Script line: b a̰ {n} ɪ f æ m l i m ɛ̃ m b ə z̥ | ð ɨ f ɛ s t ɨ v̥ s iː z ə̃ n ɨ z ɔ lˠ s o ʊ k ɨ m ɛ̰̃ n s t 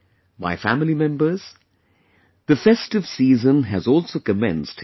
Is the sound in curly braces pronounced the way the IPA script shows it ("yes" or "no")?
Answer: no